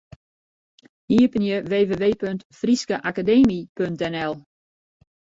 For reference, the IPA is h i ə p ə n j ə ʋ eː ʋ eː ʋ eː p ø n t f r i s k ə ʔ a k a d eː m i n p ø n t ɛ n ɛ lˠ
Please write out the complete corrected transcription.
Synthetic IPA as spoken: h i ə p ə n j ə ʋ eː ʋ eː ʋ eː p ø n t f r i s k ə ʔ a k a d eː m i p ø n t ɛ n ɛ lˠ